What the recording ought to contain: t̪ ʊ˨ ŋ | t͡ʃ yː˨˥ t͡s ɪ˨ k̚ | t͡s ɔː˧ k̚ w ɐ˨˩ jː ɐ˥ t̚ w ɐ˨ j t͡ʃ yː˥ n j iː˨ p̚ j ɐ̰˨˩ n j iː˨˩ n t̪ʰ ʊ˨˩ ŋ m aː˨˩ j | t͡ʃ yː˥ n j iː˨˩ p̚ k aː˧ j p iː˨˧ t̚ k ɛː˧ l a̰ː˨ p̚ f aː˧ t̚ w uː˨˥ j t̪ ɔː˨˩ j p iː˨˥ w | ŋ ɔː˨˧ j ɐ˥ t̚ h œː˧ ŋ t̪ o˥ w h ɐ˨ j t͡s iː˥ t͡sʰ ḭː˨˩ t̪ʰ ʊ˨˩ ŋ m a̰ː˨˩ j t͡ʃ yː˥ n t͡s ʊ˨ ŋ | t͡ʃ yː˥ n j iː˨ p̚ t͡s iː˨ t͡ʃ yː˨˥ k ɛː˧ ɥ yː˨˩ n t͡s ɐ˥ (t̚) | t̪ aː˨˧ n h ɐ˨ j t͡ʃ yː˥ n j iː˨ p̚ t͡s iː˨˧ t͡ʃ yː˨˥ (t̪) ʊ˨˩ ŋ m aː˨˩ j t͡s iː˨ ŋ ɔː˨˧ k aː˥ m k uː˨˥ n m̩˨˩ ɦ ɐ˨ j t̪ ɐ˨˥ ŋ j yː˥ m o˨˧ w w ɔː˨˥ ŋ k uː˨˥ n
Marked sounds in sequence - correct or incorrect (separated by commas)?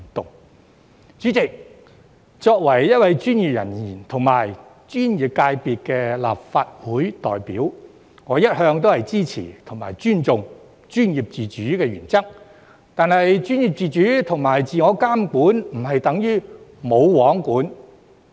incorrect, incorrect